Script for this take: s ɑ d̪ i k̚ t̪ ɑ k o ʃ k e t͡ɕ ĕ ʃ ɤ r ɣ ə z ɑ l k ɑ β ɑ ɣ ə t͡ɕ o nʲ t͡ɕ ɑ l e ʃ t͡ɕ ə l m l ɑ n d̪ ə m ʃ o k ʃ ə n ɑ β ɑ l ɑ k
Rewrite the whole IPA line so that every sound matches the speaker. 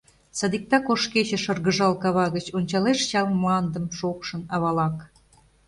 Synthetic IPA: s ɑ d̪ i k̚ t̪ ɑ k o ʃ k e t͡ɕ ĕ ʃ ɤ r ɣ ə ʒ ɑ l k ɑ β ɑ ɣ ə t͡ɕ o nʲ t͡ɕ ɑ l e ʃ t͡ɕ ɑ l m l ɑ n d̪ ə m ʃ o k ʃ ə n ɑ β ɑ l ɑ k